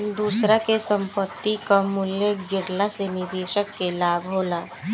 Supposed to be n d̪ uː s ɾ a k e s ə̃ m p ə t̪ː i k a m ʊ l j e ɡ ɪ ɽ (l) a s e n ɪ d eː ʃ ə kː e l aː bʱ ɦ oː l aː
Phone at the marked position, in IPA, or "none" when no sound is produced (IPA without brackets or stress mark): l